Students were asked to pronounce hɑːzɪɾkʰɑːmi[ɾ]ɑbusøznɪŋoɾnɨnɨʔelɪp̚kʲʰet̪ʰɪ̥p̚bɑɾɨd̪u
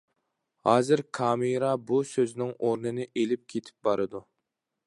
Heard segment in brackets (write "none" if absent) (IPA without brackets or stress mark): ɾ